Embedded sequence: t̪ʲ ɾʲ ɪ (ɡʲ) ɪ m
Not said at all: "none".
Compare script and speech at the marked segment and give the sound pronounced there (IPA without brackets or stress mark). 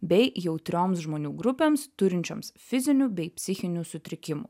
kʲ